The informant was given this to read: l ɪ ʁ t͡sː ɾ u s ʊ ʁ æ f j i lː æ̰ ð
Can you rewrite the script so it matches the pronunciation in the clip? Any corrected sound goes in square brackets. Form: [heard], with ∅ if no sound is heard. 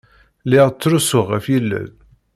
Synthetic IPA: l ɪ ʁ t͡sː ɾ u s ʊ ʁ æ f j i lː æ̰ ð